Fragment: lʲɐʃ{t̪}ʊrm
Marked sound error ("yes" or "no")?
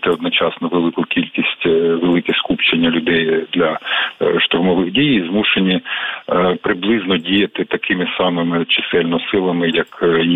no